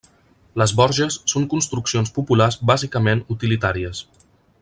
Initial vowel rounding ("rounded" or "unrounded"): unrounded